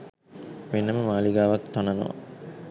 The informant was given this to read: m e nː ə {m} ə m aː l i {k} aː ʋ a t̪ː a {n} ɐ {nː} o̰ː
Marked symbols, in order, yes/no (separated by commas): yes, no, yes, no